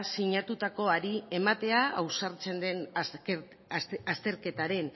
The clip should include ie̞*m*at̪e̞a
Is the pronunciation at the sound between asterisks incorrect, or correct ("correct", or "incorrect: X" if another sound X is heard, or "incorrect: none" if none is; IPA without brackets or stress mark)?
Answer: correct